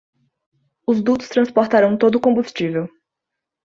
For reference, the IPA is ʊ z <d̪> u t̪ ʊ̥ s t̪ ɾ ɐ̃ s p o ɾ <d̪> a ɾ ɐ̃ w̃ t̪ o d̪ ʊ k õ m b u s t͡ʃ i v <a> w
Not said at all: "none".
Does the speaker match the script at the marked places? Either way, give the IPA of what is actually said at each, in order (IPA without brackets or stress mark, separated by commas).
d̪, t̪, e